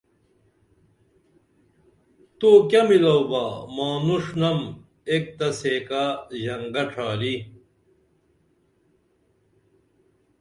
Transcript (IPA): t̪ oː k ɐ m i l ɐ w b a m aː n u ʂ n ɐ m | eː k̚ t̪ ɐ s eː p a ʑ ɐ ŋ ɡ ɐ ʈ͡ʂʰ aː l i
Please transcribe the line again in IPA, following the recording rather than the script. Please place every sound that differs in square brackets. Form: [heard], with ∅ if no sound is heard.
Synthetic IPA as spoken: t̪ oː k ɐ m i l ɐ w b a m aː n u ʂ n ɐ m | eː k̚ t̪ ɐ s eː [k] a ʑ ɐ ŋ ɡ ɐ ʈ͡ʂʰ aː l i